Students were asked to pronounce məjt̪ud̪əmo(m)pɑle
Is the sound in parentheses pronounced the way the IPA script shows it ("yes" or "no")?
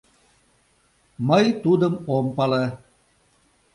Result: yes